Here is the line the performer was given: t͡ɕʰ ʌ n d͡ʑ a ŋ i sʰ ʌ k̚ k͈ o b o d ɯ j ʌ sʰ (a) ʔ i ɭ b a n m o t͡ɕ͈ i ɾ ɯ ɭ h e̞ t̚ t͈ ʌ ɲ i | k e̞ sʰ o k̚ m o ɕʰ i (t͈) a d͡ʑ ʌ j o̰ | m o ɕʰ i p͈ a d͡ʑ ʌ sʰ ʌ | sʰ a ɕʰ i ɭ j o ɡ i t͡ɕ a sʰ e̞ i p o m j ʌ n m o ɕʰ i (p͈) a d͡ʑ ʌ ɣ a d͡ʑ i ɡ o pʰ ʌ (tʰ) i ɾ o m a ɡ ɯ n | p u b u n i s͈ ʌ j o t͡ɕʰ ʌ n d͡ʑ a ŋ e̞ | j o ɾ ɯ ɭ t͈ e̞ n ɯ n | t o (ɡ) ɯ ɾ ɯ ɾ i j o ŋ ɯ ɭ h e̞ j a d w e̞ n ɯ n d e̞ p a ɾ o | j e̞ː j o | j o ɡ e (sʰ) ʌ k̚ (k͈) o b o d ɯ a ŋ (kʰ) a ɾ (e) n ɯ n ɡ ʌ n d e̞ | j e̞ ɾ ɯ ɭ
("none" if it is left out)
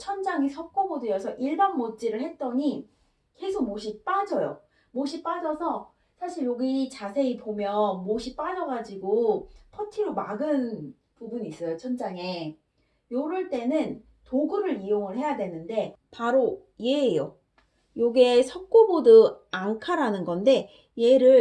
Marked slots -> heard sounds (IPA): ʌ, p͈, p͈, tʰ, ɡ, sʰ, k͈, kʰ, a

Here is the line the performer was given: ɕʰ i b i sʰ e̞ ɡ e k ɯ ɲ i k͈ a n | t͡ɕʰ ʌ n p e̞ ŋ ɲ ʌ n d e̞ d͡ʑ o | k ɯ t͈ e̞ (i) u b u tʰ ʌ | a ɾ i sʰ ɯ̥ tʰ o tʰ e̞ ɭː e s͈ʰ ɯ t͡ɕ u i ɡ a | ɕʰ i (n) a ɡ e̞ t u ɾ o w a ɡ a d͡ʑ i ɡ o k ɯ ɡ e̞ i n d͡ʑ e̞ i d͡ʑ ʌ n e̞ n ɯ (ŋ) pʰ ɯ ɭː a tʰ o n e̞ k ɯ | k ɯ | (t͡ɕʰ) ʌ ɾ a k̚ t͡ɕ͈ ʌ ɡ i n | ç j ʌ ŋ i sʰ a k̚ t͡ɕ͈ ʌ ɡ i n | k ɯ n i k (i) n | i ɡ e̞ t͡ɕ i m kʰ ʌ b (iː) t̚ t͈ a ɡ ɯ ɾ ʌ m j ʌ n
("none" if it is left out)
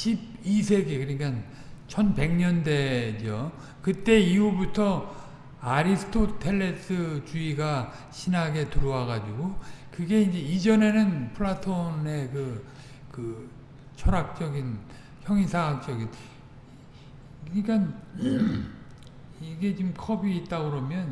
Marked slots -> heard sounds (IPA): i, n, n, t͡ɕʰ, a, iː

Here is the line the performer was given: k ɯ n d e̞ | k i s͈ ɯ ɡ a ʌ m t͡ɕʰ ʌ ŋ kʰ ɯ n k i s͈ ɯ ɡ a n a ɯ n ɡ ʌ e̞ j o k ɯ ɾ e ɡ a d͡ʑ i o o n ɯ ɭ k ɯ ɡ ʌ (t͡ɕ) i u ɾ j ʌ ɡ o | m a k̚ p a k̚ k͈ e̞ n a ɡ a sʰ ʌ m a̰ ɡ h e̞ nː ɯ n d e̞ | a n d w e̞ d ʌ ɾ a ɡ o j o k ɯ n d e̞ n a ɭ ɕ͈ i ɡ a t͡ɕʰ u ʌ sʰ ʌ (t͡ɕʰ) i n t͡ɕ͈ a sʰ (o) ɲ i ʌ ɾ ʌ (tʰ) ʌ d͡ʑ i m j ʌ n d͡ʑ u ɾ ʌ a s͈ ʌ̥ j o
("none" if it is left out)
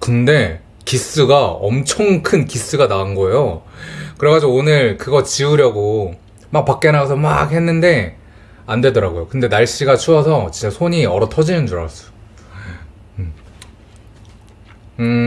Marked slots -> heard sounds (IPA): t͡ɕ, t͡ɕ, o, tʰ

